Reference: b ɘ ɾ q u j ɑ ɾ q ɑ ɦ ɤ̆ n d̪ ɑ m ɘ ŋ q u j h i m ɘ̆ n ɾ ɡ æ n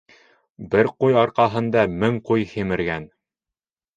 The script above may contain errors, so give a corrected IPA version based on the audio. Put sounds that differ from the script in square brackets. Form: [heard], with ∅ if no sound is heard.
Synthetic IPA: b ɘ ɾ q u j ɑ ɾ q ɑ ɦ ɤ̆ n d̪ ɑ m ɘ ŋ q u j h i m ɘ̆ [∅] ɾ ɡ æ n